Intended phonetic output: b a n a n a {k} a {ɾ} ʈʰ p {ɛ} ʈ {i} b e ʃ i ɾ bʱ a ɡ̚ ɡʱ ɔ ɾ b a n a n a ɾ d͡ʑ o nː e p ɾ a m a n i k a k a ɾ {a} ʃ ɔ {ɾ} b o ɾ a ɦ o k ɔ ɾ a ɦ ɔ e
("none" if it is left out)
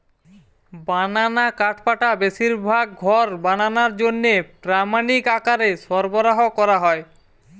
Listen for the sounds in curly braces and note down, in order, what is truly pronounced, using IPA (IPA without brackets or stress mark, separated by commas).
k, none, a, a, e, ɾ